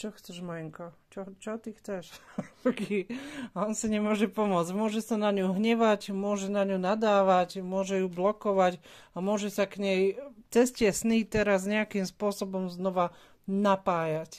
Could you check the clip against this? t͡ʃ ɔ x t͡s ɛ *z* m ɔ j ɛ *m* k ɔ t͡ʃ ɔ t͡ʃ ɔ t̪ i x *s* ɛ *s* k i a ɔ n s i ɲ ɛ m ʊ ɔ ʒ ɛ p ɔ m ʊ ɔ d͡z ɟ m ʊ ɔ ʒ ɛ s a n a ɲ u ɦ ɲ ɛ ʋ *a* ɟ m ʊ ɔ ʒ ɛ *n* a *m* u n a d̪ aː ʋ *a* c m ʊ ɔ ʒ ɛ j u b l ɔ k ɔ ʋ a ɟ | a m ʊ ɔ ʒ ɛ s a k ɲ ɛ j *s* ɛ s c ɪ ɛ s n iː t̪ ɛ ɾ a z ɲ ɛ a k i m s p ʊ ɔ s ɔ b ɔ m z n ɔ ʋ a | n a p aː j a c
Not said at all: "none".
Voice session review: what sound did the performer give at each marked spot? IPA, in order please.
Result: ʒ, ŋ, t͡s, ʃ, a, n, ɲ, a, t͡s

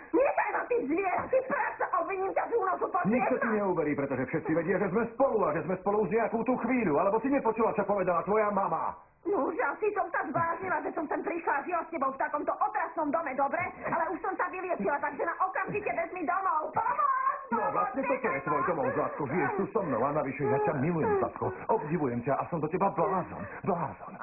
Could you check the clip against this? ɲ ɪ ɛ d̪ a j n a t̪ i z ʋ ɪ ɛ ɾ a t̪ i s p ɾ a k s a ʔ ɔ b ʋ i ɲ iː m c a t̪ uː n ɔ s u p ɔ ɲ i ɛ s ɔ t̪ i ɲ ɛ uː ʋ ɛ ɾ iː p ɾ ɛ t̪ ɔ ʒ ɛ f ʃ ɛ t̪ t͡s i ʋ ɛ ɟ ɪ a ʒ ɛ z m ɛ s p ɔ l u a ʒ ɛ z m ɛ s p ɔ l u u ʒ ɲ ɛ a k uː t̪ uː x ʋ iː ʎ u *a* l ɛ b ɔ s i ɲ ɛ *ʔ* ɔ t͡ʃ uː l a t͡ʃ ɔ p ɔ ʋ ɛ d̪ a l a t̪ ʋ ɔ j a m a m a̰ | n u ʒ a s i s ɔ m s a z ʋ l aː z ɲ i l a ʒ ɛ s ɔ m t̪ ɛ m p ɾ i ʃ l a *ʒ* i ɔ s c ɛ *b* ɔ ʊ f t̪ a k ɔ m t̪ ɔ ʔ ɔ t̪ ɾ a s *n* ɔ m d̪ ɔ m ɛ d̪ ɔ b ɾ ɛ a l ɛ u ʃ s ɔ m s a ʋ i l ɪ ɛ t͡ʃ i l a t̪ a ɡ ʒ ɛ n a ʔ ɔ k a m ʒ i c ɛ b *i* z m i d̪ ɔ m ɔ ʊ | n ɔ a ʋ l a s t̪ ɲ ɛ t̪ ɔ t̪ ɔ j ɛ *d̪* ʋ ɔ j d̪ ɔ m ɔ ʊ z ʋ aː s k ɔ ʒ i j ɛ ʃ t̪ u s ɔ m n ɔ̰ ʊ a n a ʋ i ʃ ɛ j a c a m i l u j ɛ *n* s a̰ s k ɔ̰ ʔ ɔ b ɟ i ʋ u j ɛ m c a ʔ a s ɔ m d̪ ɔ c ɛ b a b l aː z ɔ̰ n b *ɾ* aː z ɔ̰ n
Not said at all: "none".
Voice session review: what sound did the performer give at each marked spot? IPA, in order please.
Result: a, p, ʒ, b, n, ɛ, t̪, m, l

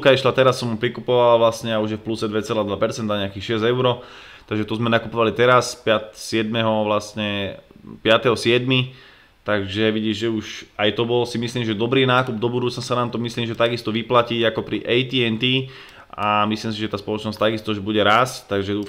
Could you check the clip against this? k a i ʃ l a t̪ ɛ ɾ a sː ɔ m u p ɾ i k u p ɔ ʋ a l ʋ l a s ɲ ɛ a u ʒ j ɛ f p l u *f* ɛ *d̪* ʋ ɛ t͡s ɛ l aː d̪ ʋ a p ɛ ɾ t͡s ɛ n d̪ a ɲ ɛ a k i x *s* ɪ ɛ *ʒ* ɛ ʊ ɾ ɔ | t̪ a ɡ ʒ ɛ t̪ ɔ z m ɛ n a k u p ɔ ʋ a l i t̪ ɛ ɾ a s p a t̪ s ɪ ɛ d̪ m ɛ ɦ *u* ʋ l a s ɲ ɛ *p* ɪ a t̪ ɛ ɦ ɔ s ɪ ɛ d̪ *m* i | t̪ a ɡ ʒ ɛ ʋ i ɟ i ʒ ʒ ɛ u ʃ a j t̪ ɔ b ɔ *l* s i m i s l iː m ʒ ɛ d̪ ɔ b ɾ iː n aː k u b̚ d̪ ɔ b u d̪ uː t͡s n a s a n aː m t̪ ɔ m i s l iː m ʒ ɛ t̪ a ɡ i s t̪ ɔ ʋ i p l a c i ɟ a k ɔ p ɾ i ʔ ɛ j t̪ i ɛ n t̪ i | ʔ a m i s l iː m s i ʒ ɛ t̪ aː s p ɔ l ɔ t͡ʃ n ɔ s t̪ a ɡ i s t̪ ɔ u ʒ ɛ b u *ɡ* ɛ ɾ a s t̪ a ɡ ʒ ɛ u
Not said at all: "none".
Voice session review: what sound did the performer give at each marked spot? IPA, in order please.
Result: s, d̪, ʃ, z, ɔ, p, m, l, ɟ

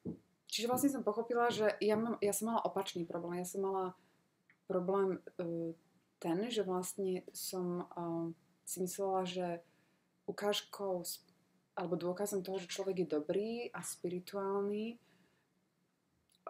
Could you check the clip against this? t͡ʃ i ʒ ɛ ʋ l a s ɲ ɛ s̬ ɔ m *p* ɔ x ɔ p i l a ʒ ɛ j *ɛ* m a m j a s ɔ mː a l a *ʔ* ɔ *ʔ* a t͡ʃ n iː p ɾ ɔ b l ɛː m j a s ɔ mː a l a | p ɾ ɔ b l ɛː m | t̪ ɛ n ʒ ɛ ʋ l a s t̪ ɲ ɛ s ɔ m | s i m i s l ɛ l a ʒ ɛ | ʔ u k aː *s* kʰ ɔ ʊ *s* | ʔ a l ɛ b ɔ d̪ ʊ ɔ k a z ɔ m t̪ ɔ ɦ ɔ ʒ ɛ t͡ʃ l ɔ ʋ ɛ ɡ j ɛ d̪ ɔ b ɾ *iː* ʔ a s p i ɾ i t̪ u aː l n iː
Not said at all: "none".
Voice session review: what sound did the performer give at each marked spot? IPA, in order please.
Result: p, a, ʔ, p, ʃ, s, iː

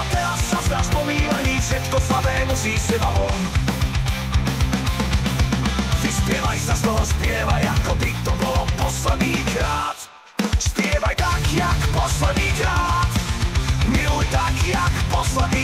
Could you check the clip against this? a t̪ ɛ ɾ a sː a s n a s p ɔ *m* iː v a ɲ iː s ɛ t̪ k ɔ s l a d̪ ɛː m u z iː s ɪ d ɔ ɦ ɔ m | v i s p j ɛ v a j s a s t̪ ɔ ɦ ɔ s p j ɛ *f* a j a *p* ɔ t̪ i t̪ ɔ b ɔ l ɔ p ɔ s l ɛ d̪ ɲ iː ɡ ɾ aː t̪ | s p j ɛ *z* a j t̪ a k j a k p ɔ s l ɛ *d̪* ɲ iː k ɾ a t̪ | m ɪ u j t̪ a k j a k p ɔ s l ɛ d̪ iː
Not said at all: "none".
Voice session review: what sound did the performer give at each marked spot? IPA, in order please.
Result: m, v, k, v, d̪

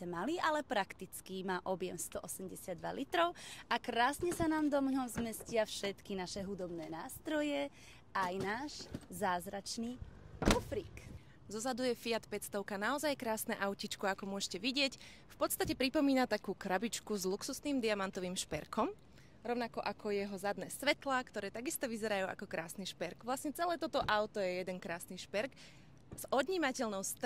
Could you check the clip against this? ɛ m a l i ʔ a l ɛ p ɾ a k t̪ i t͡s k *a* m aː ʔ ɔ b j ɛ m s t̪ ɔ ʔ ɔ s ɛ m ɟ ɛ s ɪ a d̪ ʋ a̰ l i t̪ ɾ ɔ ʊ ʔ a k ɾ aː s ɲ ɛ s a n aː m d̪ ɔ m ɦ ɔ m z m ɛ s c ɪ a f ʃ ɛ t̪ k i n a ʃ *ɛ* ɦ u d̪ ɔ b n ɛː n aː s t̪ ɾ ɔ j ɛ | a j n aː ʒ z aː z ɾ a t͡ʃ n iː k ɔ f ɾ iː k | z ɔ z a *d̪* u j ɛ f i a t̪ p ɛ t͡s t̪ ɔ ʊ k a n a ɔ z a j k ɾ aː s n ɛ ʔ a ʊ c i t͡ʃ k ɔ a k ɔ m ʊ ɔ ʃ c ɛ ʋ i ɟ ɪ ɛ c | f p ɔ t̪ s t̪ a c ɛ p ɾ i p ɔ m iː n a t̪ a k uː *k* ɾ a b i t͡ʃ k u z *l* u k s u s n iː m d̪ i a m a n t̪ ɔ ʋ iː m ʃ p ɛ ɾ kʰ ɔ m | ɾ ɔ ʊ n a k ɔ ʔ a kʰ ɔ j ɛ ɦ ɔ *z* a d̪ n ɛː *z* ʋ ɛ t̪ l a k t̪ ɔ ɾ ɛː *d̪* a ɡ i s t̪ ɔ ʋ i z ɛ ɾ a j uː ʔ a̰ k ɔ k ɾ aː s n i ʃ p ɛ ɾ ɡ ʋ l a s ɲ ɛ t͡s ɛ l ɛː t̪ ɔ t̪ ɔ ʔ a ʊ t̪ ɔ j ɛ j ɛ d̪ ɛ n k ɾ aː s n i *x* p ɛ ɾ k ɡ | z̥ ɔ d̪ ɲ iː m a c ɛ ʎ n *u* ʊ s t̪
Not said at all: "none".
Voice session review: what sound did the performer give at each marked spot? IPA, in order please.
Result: i, ɛ, d̪, k, l, z, s, t̪, ʃ, ɔ

